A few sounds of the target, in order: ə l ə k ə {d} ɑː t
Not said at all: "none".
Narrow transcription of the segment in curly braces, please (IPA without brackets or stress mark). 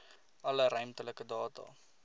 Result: d